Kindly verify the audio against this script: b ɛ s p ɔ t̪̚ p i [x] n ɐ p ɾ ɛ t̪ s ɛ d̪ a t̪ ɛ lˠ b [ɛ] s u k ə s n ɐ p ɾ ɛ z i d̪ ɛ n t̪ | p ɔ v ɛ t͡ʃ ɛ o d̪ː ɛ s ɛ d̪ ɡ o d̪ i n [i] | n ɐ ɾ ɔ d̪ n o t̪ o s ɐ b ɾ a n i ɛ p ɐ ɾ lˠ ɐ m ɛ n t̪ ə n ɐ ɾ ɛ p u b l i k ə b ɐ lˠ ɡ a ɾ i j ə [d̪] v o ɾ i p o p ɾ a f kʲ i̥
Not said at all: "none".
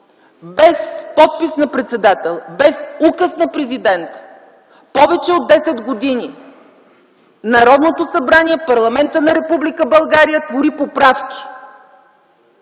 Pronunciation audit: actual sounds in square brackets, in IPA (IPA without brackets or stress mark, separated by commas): s, ɛ, i, t̪